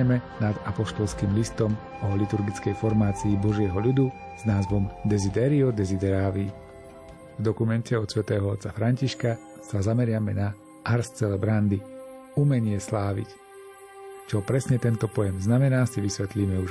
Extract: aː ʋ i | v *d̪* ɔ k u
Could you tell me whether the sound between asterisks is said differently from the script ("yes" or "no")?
no